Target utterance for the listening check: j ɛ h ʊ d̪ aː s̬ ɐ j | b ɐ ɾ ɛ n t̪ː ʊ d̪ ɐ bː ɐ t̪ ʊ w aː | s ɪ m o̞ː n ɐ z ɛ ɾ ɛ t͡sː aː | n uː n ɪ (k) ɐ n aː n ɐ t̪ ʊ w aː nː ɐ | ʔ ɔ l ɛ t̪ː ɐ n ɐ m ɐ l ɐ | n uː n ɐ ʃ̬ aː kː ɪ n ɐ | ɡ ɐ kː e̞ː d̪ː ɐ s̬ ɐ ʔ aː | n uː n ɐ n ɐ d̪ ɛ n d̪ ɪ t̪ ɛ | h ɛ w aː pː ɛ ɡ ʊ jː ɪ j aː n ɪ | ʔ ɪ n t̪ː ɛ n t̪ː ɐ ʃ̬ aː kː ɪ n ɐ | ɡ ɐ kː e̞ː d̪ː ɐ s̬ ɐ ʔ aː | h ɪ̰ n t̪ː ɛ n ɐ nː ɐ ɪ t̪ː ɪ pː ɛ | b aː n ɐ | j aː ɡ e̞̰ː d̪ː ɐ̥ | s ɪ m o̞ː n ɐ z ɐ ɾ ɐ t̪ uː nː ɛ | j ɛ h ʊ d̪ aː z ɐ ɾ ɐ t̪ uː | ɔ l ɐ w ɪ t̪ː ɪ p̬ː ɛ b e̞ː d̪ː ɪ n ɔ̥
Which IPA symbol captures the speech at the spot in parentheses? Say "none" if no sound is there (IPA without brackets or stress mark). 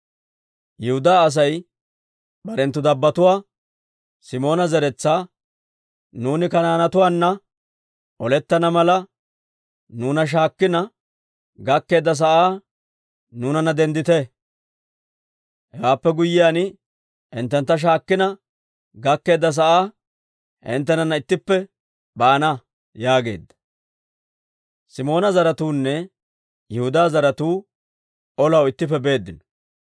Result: k